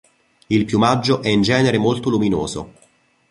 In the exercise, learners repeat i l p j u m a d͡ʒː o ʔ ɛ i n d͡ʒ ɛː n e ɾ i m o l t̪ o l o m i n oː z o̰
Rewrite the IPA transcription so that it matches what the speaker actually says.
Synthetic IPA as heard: i l p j u m a d͡ʒː o ʔ ɛ i n d͡ʒ ɛː n e ɾ e m o l t̪ o l u m i n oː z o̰